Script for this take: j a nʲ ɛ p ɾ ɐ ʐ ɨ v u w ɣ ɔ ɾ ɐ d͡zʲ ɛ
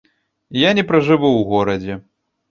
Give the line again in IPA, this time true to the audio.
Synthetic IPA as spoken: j a nʲ ɛ p ɾ ɐ ʐ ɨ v u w ɣ ɔ ɾ ɐ d͡zʲ ɛ